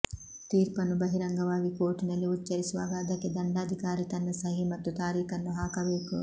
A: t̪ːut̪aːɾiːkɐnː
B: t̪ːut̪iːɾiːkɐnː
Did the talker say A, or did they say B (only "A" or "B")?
A